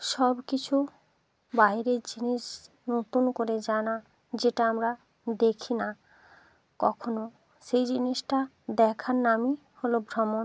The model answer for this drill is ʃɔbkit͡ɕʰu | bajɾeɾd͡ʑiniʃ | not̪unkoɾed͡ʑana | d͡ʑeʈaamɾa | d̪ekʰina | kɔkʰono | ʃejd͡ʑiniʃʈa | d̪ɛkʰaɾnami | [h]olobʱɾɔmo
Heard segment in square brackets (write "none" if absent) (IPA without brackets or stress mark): h